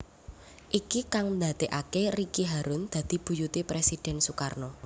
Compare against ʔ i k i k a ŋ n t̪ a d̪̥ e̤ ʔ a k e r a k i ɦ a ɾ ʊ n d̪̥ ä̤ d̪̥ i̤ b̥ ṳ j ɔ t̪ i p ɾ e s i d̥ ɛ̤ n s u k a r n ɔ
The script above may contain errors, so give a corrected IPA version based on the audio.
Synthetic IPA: ʔ i k i k a ŋ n d̪ a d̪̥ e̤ ʔ a k e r i k i ɦ a ɾ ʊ n d̪̥ ä̤ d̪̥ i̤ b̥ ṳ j u t̪ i p ɾ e s i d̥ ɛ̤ n s u k a r n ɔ